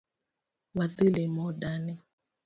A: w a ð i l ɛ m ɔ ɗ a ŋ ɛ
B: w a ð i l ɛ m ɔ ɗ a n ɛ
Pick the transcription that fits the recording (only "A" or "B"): B